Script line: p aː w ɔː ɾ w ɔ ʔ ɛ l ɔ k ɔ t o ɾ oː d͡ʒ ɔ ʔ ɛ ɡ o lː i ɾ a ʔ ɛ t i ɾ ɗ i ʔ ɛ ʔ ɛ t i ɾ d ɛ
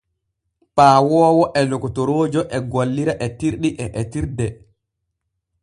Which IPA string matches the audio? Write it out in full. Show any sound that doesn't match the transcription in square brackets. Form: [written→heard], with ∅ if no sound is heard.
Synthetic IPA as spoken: p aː w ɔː [ɾ→∅] w ɔ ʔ ɛ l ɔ k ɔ t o ɾ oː d͡ʒ ɔ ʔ ɛ ɡ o lː i ɾ a ʔ ɛ t i ɾ ɗ i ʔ ɛ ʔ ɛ t i ɾ d ɛ